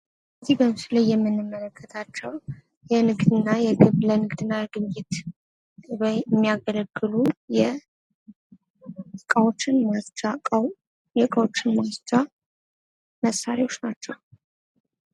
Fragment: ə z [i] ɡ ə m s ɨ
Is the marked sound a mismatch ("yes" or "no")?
no